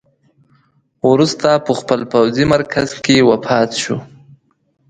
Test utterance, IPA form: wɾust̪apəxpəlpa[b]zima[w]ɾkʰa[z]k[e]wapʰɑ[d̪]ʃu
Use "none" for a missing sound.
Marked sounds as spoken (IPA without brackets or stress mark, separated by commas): w, none, z, e, t̪